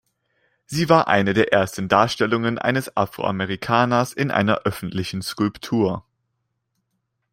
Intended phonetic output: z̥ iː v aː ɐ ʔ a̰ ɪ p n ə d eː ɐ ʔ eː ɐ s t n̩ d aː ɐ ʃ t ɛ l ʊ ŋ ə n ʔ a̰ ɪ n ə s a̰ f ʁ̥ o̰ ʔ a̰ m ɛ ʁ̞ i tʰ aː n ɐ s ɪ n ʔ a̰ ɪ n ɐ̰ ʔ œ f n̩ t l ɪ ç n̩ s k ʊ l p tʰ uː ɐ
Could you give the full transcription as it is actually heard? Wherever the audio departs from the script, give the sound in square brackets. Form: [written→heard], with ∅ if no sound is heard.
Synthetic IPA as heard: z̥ iː v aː ɐ ʔ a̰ ɪ [p→∅] n ə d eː ɐ ʔ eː ɐ s t n̩ d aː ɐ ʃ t ɛ l ʊ ŋ ə n ʔ a̰ ɪ n ə s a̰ f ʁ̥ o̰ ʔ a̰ m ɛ ʁ̞ i [tʰ→kʰ] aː n ɐ s ɪ n ʔ a̰ ɪ n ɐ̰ ʔ œ f n̩ t l ɪ ç n̩ s k ʊ l p tʰ uː ɐ